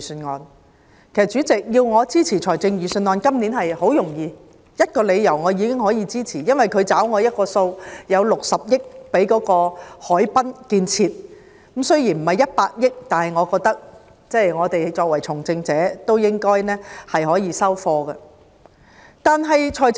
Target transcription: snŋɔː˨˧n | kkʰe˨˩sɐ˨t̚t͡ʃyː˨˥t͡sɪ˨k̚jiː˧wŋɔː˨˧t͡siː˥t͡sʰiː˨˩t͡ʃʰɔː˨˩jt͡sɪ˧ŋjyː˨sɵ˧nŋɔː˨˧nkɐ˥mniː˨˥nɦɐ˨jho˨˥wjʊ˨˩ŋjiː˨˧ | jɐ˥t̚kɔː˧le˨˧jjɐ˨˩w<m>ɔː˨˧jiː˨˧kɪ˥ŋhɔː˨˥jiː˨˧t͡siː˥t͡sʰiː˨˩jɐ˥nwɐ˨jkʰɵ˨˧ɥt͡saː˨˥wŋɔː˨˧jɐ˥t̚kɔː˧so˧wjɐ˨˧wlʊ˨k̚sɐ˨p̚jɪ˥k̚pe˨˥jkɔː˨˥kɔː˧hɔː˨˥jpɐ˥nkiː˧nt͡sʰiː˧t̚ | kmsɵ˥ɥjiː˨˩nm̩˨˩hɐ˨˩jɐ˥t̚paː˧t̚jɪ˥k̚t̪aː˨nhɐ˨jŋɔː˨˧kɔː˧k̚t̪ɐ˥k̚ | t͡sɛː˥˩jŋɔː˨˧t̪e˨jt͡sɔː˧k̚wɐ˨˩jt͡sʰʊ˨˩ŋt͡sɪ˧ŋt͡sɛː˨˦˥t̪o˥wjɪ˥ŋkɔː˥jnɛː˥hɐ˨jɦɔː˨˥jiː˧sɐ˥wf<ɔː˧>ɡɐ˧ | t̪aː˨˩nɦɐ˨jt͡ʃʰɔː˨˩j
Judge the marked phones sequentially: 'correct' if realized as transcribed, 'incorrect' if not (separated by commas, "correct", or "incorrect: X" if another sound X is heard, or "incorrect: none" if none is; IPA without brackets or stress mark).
incorrect: ŋ, correct